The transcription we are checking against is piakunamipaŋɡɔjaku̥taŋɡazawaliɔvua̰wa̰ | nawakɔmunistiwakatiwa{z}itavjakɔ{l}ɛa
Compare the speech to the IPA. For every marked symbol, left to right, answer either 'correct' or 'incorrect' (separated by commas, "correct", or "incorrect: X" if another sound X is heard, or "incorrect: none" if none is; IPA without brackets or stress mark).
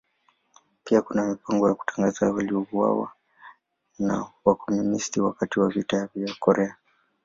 incorrect: v, incorrect: ɾ